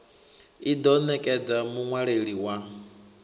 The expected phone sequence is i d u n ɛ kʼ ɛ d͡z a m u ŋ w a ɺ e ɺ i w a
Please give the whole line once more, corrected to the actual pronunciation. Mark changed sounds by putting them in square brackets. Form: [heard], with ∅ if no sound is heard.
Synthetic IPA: i d [ɔ] n ɛ kʼ ɛ d͡z a m u ŋ w a ɺ e ɺ i w a